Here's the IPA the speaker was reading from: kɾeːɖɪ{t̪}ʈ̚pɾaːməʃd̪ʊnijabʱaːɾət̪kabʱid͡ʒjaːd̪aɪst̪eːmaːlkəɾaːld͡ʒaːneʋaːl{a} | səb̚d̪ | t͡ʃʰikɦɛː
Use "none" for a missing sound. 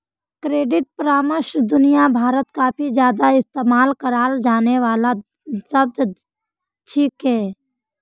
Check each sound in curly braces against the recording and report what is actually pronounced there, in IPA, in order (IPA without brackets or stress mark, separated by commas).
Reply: none, a